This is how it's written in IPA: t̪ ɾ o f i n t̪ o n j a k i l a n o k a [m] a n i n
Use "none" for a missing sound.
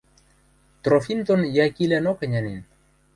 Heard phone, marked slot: ɲ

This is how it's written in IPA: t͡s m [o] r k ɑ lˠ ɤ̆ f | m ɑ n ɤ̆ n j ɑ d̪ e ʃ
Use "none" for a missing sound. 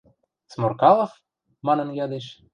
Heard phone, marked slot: o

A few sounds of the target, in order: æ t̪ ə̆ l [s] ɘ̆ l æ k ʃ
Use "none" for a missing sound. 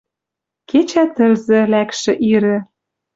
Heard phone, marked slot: z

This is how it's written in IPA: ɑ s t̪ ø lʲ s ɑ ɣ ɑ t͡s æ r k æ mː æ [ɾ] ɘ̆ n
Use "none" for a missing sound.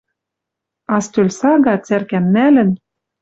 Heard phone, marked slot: l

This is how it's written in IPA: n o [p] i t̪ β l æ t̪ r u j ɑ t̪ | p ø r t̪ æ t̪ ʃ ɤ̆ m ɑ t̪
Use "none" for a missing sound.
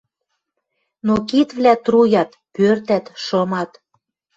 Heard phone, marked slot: k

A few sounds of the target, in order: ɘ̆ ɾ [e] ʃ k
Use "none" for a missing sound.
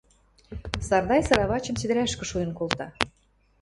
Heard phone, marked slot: æ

